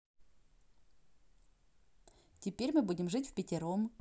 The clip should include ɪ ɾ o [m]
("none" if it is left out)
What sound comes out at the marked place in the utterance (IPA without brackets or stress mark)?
m